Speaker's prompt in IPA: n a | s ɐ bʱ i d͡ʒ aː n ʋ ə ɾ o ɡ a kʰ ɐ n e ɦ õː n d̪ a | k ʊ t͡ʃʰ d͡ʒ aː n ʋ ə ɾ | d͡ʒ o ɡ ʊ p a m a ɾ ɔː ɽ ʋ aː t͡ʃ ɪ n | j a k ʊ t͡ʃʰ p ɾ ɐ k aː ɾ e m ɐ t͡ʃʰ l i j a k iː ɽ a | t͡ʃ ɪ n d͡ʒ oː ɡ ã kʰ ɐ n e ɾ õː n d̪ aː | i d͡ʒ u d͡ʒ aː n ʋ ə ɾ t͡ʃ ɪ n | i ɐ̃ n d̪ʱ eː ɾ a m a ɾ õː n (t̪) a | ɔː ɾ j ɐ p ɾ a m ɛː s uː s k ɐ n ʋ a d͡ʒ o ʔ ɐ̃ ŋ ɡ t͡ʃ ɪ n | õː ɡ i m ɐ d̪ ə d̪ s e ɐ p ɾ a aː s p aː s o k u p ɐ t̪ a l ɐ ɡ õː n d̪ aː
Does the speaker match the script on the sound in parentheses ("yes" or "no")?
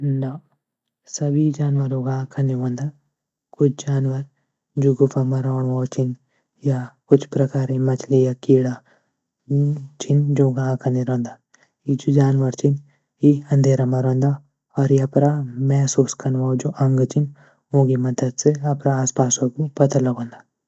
no